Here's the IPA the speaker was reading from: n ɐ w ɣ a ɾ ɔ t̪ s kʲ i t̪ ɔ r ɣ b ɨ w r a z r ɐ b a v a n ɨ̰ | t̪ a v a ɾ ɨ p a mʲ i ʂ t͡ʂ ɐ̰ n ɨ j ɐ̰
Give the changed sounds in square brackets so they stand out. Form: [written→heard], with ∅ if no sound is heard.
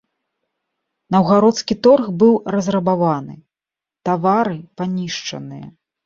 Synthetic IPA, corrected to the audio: n ɐ w ɣ a ɾ ɔ t̪ s kʲ i t̪ ɔ r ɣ b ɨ w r [a→ɐ] z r ɐ b a v a n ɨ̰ | t̪ a v a ɾ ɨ p a [mʲ→nʲ] i ʂ t͡ʂ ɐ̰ n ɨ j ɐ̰